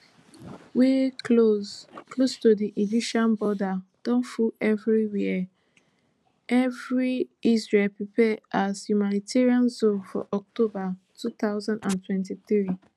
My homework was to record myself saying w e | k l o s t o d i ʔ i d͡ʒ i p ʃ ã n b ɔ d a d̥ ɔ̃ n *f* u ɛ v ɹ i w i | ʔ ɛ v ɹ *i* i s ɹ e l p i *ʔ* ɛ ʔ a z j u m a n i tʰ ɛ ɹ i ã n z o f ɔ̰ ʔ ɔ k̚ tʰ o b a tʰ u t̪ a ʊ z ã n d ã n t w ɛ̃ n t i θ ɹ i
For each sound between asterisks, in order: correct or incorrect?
correct, correct, incorrect

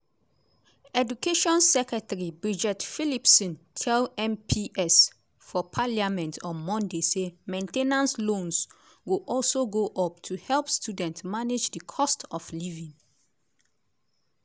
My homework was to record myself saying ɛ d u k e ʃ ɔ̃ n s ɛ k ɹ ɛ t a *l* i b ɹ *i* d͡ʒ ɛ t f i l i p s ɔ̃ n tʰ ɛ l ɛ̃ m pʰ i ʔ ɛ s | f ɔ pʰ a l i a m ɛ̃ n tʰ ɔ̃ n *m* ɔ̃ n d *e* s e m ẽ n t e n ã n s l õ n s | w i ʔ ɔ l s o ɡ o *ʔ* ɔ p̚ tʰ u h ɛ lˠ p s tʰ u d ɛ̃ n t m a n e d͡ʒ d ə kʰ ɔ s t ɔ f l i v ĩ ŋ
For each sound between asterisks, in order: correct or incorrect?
incorrect, correct, correct, correct, correct

